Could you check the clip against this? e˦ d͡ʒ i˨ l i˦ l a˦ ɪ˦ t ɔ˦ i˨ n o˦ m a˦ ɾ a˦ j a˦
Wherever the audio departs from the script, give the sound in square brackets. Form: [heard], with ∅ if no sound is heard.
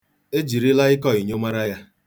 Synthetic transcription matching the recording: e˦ d͡ʒ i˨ [ɾ] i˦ l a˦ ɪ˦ [k] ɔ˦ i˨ [ɲ] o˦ m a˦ ɾ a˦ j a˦